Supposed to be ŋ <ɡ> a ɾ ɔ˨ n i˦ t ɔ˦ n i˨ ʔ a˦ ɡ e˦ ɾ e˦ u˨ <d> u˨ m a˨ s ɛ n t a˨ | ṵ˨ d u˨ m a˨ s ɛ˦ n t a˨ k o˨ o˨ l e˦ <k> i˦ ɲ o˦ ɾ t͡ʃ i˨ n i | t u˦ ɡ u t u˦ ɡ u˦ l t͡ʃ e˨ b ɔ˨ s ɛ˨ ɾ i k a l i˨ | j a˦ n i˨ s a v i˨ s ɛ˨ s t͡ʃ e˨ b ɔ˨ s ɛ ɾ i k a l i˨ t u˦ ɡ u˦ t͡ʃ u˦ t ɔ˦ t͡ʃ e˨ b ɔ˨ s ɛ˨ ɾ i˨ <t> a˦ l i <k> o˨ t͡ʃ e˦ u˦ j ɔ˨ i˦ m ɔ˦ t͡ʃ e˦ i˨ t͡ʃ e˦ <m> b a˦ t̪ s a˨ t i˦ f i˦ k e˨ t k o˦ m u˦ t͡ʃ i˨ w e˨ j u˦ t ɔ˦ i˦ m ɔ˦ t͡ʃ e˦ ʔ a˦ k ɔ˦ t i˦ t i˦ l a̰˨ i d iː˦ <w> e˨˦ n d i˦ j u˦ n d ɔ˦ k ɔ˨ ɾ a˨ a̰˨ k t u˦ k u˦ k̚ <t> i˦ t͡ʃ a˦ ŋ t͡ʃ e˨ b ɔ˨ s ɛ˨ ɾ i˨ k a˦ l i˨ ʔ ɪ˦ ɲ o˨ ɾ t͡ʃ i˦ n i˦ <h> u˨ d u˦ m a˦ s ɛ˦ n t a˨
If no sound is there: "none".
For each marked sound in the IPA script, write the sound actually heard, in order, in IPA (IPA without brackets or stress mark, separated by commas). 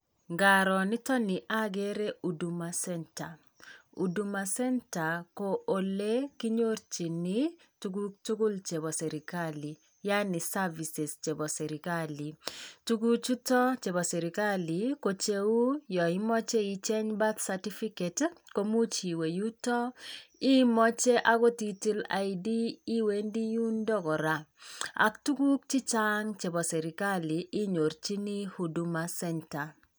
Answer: ɡ, d, k, k, k, ɲ, w, t͡ʃ, h